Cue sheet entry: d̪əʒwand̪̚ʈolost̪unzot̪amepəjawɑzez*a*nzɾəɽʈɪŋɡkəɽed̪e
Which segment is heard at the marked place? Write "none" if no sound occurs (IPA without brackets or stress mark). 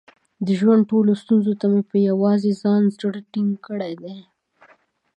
ɑ